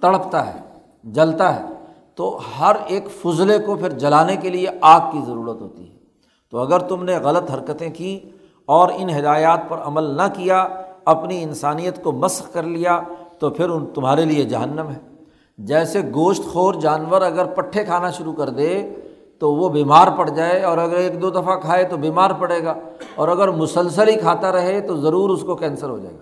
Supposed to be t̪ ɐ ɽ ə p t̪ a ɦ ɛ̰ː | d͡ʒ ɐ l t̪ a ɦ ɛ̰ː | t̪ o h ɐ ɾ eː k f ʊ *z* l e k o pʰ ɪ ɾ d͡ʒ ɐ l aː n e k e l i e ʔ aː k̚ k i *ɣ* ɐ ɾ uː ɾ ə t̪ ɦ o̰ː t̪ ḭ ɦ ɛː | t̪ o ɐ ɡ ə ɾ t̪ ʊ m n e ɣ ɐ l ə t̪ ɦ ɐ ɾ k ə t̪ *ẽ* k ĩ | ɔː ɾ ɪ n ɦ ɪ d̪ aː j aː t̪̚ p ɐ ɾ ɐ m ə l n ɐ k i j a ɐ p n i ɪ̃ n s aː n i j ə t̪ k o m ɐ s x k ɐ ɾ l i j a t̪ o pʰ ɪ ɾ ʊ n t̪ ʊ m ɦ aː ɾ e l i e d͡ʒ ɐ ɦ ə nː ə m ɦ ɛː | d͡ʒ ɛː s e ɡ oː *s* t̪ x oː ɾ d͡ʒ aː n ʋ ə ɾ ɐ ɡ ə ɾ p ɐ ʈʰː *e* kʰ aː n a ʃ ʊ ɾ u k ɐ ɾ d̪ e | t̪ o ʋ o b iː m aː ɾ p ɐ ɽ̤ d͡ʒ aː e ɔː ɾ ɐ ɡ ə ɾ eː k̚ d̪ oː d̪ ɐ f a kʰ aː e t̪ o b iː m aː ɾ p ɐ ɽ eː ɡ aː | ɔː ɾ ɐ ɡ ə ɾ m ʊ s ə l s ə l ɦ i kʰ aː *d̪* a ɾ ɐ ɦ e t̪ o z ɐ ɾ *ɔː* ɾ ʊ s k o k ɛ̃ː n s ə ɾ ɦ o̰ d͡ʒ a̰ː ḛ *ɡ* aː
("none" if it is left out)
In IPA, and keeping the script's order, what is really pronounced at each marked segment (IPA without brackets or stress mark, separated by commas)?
z, z, ẽ, ʃ, e, t̪, uː, ɡ